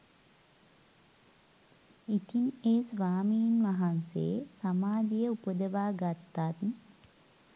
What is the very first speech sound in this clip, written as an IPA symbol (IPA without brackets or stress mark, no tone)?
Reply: i